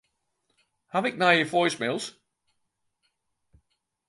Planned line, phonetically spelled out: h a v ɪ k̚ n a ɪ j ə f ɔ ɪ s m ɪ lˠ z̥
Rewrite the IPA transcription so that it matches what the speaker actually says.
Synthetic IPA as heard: h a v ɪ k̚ n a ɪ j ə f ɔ ɪ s m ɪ lˠ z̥